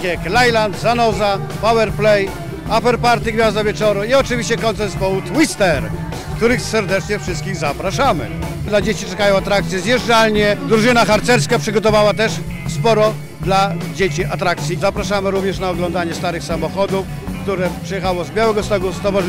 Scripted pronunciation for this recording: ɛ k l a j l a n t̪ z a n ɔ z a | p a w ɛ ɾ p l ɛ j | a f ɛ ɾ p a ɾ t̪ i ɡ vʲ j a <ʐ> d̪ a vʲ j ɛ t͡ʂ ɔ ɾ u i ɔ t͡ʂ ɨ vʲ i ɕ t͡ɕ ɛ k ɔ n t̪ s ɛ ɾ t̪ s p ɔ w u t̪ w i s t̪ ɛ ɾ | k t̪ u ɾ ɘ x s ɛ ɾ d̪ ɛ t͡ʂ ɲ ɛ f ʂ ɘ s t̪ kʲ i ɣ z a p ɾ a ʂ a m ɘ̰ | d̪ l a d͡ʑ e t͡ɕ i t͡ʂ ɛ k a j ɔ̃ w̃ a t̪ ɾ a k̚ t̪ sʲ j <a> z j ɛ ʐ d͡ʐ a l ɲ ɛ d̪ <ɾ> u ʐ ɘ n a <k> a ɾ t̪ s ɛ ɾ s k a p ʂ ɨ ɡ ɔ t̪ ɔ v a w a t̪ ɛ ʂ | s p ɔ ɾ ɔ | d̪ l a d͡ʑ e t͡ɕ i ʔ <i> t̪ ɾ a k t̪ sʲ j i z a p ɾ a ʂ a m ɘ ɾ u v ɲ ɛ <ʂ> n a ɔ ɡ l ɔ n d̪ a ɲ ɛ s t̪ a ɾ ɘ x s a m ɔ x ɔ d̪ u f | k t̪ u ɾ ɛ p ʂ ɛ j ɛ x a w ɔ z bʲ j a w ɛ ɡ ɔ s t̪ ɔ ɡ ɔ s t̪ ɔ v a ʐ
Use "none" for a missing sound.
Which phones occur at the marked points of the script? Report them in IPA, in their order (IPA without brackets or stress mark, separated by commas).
z, ɛ, ɾ, x, a, ʂ